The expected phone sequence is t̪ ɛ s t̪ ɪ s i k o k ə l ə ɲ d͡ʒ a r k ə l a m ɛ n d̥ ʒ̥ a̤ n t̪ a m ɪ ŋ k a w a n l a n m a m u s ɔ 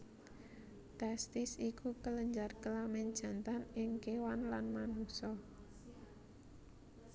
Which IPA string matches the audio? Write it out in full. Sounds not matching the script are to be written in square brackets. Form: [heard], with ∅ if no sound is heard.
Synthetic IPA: t̪ ɛ s t̪ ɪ s i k [u] k ə l ə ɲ d͡ʒ a r k ə l a m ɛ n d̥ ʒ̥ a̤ n t̪ a [n] ɪ ŋ k [e] w a n l a n m a [n] u s ɔ